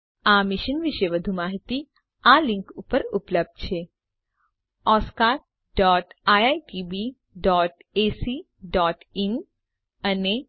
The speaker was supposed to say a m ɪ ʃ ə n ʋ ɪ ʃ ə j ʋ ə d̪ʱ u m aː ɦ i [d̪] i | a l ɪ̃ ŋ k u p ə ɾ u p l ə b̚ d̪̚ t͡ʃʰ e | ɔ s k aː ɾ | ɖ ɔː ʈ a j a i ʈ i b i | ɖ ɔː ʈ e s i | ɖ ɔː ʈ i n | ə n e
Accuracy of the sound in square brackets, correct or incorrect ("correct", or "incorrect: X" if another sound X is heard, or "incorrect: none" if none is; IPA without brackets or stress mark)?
incorrect: t̪